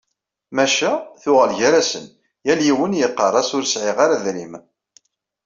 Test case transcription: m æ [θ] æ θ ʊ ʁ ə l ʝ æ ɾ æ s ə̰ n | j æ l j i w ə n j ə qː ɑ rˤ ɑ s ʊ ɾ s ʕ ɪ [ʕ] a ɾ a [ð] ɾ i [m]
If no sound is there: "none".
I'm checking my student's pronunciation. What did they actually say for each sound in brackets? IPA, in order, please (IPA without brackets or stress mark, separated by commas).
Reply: ʃ, ʁ, ð, m